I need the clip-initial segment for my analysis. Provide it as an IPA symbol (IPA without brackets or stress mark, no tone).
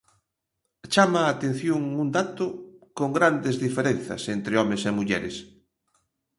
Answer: t͡ʃ